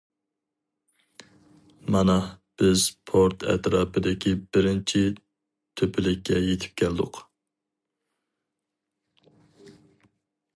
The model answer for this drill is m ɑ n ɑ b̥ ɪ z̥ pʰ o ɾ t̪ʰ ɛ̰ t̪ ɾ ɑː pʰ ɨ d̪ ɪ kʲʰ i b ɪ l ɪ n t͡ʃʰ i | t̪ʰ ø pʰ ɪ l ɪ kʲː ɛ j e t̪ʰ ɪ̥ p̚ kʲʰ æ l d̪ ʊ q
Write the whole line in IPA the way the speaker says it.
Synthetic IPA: m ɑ n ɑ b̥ ɪ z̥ pʰ o ɾ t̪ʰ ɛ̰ t̪ ɾ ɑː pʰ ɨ d̪ ɪ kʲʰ i b ɪ ɾ ɪ n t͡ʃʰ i | t̪ʰ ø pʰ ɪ l ɪ kʲː ɛ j e t̪ʰ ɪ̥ p̚ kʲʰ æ l d̪ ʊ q